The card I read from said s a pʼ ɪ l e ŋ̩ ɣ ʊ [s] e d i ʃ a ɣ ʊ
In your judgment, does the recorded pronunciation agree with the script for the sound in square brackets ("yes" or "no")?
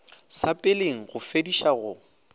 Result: no